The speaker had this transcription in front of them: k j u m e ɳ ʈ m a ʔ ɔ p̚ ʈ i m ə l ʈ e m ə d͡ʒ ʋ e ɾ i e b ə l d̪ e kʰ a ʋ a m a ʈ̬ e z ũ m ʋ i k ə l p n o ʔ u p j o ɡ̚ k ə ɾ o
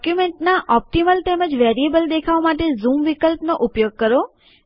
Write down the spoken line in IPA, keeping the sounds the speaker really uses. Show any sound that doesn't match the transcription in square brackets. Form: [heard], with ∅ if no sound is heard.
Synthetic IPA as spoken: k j u m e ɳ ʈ [n] a ʔ ɔ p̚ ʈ i m ə l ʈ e m ə d͡ʒ ʋ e ɾ i e b ə l d̪ e kʰ a ʋ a m a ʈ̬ e z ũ m ʋ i k ə l p n o ʔ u p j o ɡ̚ k ə ɾ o